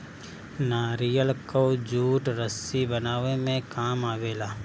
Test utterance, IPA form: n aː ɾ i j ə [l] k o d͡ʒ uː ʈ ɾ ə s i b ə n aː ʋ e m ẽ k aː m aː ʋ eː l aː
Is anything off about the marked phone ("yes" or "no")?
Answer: no